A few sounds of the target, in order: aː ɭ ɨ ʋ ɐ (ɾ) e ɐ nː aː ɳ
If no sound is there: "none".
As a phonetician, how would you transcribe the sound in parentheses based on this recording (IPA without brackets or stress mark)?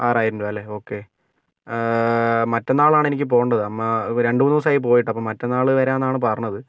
ɾ